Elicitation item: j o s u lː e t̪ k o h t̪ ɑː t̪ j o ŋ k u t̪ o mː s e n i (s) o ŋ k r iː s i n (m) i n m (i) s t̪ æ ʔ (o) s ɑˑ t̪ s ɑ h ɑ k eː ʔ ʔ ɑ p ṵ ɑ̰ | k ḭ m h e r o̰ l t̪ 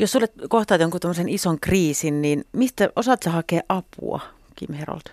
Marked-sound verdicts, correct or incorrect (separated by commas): correct, incorrect, correct, correct